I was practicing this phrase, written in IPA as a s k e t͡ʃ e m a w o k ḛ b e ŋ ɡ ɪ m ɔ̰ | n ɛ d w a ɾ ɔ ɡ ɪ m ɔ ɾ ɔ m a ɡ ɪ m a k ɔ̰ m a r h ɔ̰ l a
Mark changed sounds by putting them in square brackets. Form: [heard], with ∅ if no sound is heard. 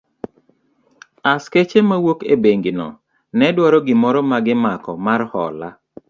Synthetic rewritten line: a s k e t͡ʃ e m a w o k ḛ b e ŋ ɡ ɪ [n] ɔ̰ | n ɛ d w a ɾ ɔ ɡ ɪ m ɔ ɾ ɔ m a ɡ ɪ m a k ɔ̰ m a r h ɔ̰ l a